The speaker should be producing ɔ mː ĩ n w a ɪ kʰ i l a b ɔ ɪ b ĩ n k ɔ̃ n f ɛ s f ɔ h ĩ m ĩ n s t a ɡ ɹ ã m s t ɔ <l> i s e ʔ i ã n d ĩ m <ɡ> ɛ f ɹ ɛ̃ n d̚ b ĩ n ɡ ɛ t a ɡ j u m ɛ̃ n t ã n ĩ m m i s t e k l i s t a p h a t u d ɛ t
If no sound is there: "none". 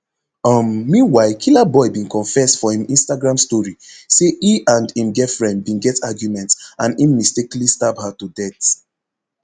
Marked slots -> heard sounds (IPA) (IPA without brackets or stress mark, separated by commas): ɹ, ɡ